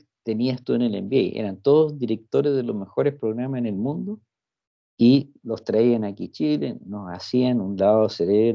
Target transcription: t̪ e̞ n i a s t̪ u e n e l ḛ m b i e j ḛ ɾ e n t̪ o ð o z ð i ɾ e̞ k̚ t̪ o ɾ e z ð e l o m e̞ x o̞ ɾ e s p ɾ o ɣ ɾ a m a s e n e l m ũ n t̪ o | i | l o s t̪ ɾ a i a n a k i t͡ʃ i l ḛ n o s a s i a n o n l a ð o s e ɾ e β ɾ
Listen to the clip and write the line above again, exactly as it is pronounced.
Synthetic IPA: t̪ e̞ n i a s t̪ u e n e l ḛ m b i e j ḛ ɾ a n t̪ o ð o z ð i ɾ e̞ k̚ t̪ o ɾ e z ð e l o m e̞ x o̞ ɾ e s p ɾ o ɣ ɾ a m a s e n e l m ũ n d̪ o | i | l o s t̪ ɾ a i a n a k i t͡ʃ i l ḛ n o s a s i a n u n l a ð o s e ɾ e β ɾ

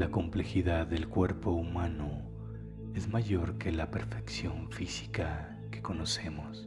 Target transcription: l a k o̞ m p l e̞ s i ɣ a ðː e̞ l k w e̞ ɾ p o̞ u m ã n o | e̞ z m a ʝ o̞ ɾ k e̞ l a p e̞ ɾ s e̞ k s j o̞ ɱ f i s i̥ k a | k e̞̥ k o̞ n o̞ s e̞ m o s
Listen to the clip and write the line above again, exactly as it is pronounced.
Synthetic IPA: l a k o̞ m p l e̞ x i ð a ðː e̞ l k w e̞ ɾ p o̞ u m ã n o | e̞ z m a ʝ o̞ ɾ k e̞ l a p e̞ ɾ f e̞ k s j o̞ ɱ f i s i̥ k a | k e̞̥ k o̞ n o̞ s e̞ m o s

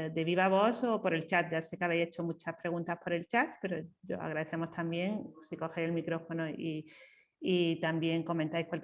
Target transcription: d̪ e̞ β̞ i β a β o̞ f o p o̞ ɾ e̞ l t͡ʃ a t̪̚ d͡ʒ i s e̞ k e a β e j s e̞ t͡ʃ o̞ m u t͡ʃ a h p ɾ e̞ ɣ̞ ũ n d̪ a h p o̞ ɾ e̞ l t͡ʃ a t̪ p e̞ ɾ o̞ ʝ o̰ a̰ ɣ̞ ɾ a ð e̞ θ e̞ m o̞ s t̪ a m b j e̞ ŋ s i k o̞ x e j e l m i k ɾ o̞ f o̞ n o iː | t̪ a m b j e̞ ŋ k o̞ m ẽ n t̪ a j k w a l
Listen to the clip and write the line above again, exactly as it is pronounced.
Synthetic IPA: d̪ e̞ β̞ i β a β o̞ s o p o̞ ɾ e̞ l t͡ʃ a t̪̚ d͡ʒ a s e̞ k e a β e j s e̞ t͡ʃ o̞ m u t͡ʃ a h p ɾ e̞ ɣ̞ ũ n t̪ a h p o̞ ɾ e̞ l t͡ʃ a t̪ p e̞ ɾ o̞ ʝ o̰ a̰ ɣ̞ ɾ a ð e̞ θ e̞ m o̞ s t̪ a m b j e̞ ŋ s i k o̞ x e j e l m i k ɾ o̞ f o̞ n o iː | t̪ a m b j e̞ ŋ k o̞ m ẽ n t̪ a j k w a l

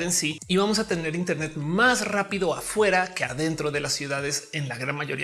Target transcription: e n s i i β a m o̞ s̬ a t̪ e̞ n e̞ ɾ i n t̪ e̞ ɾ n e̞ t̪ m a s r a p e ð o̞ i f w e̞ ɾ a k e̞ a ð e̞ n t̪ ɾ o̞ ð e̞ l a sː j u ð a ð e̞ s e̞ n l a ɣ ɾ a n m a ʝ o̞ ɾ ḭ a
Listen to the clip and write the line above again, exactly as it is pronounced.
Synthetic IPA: e n s i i β a m o̞ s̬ a t̪ e̞ n e̞ ɾ i n t̪ e̞ ɾ n e̞ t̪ m a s r a p i ð o̞ a f w e̞ ɾ a k e̞ a ð e̞ n t̪ ɾ o̞ ð e̞ l a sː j u ð a ð e̞ s e̞ n l a ɣ ɾ a n m a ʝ o̞ ɾ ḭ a

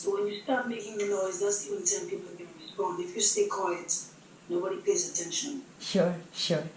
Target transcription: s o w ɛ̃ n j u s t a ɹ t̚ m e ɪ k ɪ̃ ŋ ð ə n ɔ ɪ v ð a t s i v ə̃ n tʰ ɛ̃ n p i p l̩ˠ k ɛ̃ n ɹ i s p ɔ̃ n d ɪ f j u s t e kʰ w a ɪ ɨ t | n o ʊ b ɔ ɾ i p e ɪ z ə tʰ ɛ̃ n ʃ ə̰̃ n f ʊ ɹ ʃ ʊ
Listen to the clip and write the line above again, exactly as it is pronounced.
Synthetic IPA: s o w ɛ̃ n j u s t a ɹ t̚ m e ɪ k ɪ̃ ŋ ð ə n ɔ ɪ z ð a t s i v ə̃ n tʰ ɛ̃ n p i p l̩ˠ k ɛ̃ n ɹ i s p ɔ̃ n d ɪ f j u s t e kʰ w a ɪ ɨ t | n o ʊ b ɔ ɾ i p e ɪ z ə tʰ ɛ̃ n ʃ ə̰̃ n ʃ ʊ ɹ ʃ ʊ

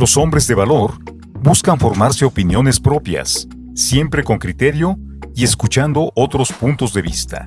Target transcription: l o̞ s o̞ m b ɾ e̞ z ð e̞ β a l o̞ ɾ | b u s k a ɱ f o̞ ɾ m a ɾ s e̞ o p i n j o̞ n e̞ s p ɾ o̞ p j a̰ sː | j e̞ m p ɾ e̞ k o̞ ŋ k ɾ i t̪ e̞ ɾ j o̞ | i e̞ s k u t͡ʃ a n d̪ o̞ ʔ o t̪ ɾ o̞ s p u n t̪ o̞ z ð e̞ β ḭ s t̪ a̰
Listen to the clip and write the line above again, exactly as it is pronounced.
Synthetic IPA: l o̞ s o̞ m b ɾ e̞ z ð e̞ β a l o̞ ɾ | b u s k a ɱ f o̞ ɾ m a ɾ s e̞ o p i n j o̞ n e̞ s p ɾ o̞ p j a̰ sː | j e̞ m p ɾ e̞ k o̞ ŋ k ɾ i t̪ e̞ ɾ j o̞ | i e̞ s k u t͡ʃ a n d̪ o̞ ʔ o t̪ ɾ o̞ s p u n t̪ o̞ z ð e̞ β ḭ s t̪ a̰

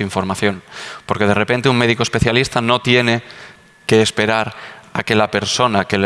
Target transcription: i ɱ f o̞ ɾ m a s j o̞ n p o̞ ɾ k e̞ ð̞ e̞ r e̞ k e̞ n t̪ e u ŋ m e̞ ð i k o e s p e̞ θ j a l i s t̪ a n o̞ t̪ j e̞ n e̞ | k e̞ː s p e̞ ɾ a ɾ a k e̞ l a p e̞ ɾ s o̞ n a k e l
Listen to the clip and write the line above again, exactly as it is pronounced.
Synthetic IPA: i ɱ f o̞ ɾ m a θ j o̞ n p o̞ ɾ k e̞ ð̞ e̞ r e̞ p e̞ n t̪ e u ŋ m e̞ ð i k o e s p e̞ θ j a l i s t̪ a n o̞ t̪ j e̞ n e̞ | k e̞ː s p e̞ ɾ a ɾ a k e̞ l a p e̞ ɾ s o̞ n a k e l

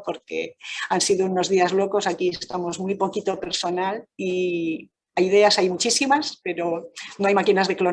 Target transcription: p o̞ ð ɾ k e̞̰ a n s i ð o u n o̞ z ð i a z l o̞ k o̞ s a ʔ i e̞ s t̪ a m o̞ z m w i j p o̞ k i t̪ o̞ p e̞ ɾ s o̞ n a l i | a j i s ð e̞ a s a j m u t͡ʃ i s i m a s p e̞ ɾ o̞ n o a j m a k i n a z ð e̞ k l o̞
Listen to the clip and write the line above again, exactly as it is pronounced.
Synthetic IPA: p o̞ ɾ k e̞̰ a n s i ð o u n o̞ z ð i a z l o̞ k o̞ s a k i e̞ s t̪ a m o̞ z m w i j p o̞ k i t̪ o̞ p e̞ ɾ s o̞ n a l i | a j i ð e̞ a s a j m u t͡ʃ i s i m a s p e̞ ɾ o̞ n o a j m a k i n a z ð e̞ k l o̞

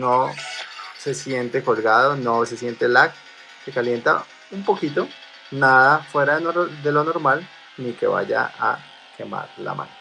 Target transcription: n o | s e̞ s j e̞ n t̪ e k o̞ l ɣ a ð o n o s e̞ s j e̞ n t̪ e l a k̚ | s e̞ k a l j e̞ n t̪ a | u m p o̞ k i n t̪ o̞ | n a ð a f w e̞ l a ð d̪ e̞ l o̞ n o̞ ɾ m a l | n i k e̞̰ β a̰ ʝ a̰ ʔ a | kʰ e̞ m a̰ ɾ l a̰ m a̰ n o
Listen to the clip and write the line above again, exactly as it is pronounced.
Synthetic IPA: n o | s e̞ s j e̞ n t̪ e k o̞ l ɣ a ð o n o s e̞ s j e̞ n t̪ e l a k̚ | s e̞ k a l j e̞ n t̪ a | u m p o̞ k i t̪ o̞ | n a ð a f w e̞ ɾ a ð d̪ e̞ l o̞ n o̞ ɾ m a l | n i k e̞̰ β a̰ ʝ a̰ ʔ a | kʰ e̞ m a̰ ɾ l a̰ m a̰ n o

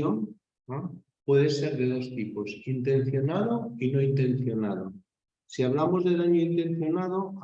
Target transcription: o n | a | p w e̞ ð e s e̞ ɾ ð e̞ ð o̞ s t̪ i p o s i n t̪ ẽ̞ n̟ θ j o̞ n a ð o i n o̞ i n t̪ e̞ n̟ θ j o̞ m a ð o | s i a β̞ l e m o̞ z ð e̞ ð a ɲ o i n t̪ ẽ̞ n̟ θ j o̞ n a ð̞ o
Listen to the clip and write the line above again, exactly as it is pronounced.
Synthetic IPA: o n | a | p w e̞ ð e s e̞ ɾ ð e̞ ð o̞ s t̪ i p o s i n t̪ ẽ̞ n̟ θ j o̞ n a ð o i n o̞ i n t̪ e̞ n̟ θ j o̞ n a ð o | s i a β̞ l a m o̞ z ð e̞ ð a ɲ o i n t̪ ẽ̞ n̟ θ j o̞ n a ð̞ o

